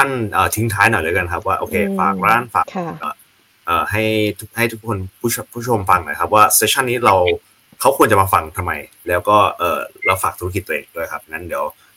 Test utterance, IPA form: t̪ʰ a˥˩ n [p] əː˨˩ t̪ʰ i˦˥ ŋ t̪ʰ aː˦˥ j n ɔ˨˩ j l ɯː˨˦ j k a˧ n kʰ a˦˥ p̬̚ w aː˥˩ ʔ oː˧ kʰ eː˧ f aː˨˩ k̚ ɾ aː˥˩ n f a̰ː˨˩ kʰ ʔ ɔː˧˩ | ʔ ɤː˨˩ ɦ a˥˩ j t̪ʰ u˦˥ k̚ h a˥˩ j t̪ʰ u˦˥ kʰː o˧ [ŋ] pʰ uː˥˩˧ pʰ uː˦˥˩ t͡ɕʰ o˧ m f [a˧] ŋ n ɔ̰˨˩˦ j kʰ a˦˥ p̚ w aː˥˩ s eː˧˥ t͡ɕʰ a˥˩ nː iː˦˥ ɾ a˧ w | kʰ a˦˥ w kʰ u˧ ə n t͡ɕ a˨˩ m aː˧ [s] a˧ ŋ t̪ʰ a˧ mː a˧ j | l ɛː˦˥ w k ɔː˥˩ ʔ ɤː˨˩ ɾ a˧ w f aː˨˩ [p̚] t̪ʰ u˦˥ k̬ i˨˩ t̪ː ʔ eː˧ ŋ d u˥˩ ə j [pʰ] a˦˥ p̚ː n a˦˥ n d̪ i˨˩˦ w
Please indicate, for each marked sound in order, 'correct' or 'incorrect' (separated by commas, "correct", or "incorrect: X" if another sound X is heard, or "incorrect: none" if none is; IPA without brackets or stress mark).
incorrect: ʔ, incorrect: n, correct, incorrect: f, incorrect: k̚, incorrect: kʰ